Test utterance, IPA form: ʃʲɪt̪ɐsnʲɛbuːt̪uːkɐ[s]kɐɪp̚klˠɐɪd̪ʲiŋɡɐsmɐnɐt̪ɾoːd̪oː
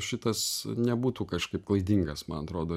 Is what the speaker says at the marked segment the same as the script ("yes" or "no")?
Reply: no